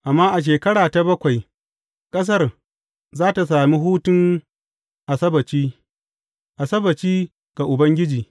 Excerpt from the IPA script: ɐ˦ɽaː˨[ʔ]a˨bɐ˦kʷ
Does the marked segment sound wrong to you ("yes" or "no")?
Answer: yes